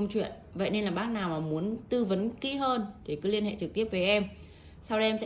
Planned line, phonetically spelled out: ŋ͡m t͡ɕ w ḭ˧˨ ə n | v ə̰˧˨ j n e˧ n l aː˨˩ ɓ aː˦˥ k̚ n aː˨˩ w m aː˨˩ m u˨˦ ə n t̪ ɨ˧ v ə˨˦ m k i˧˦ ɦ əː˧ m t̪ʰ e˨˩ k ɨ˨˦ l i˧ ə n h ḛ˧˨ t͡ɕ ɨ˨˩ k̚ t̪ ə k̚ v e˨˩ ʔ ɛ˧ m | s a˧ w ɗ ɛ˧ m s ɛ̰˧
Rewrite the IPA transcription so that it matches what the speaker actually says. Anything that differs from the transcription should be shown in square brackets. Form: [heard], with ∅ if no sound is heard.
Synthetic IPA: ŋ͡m t͡ɕ w ḭ˧˨ ə n | v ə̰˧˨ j n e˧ n l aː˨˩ ɓ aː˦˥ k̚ n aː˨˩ w m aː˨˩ m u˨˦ ə n t̪ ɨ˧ v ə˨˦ [n] k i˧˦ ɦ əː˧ [n] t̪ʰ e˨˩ k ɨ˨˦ l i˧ ə n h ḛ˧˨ t͡ɕ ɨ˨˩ k̚ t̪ ə [p̚] v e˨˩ ʔ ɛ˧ m | s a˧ w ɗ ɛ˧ m s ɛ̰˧